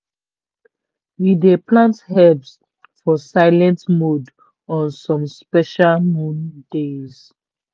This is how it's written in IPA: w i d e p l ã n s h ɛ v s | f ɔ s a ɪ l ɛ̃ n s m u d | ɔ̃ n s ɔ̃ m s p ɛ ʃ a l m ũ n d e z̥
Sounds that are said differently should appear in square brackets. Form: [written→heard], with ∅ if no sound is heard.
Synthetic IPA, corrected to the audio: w i d e p l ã n [s→t] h ɛ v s | f ɔ s a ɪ l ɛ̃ n [s→t] m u d | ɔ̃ n s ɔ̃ m s p ɛ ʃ a l m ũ n d e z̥